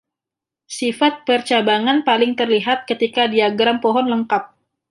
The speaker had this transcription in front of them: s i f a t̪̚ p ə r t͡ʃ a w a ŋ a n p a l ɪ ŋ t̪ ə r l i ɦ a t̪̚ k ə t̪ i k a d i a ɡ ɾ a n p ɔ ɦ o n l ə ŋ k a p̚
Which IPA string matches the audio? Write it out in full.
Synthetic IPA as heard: s i f a t̪̚ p ə r t͡ʃ a b a ŋ a n p a l ɪ ŋ t̪ ə r l i ɦ a t̪̚ k ə t̪ i k a d i a ɡ ɾ a m p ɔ ɦ ɔ n l ə ŋ k a p̚